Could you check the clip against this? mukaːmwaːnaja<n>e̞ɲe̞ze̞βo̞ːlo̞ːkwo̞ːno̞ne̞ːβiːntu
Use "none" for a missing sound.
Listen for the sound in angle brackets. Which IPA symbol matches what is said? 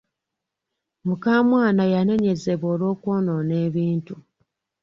n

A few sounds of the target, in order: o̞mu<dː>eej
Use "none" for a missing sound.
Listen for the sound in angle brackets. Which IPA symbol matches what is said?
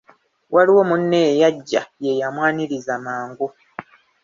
nː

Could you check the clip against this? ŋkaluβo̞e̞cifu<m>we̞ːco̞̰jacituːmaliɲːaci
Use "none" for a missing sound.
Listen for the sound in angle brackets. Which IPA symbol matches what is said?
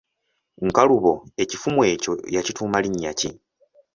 m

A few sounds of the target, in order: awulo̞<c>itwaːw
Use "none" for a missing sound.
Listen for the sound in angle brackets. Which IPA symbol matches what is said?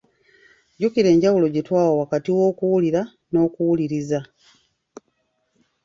ɟ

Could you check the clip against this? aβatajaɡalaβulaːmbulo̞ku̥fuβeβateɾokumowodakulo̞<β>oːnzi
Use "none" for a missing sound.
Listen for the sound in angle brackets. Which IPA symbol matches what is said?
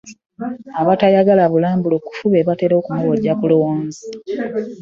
w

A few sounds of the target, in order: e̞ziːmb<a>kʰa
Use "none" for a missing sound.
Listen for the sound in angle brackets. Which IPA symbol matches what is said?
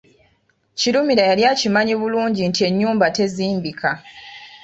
i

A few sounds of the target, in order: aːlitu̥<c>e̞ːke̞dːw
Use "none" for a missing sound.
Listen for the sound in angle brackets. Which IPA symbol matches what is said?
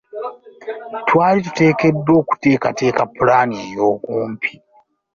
t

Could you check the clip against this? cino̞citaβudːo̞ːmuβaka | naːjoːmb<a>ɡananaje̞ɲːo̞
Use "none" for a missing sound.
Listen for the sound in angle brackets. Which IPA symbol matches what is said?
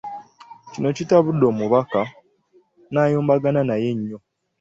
a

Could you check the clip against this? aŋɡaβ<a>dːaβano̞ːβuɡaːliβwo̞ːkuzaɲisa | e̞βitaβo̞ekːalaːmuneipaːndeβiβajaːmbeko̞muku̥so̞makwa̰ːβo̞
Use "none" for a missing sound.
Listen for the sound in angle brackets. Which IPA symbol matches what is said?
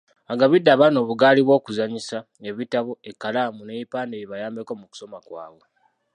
i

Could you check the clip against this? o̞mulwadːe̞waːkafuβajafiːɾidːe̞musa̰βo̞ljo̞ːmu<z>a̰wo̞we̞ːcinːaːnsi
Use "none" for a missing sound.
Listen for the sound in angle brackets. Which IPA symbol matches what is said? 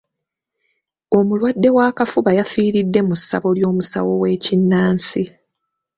s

